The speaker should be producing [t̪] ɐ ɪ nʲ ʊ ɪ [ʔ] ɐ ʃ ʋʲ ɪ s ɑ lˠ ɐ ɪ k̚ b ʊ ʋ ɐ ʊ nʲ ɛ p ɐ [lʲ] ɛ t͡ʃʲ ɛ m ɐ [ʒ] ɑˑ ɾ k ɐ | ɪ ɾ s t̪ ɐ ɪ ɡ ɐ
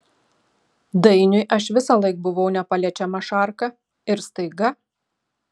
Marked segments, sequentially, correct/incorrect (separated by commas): incorrect, correct, correct, incorrect